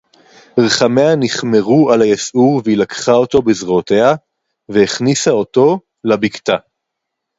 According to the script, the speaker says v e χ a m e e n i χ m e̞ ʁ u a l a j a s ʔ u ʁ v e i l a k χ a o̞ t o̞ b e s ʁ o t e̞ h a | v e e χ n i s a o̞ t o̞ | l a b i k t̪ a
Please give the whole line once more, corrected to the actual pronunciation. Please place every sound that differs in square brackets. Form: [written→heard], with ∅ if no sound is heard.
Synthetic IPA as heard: [v→ʁ] e χ a m e [e→a] n i χ m e̞ ʁ u a l a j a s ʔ u ʁ v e i l a k χ a o̞ t o̞ b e [s→z] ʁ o t e̞ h a | v e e χ n i s a o̞ t o̞ | l a b i k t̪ a